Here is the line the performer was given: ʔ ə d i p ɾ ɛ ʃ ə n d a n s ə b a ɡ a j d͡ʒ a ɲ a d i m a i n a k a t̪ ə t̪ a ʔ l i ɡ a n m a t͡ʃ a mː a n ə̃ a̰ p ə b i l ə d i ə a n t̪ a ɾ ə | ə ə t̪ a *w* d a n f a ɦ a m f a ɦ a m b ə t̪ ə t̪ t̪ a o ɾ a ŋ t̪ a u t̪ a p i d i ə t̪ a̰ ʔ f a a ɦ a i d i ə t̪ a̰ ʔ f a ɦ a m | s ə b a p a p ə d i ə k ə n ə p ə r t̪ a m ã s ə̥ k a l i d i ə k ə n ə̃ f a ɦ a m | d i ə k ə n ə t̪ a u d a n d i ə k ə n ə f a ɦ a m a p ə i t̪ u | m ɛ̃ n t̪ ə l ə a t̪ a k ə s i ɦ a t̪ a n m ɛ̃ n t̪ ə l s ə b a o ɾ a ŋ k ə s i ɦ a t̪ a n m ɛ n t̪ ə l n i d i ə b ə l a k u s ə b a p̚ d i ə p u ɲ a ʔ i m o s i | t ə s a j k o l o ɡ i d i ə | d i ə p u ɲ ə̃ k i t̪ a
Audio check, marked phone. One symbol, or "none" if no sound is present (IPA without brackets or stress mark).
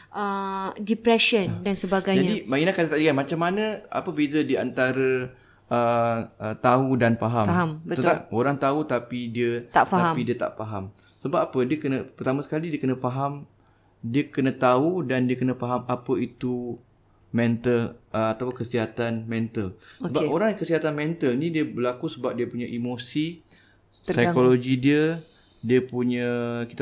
u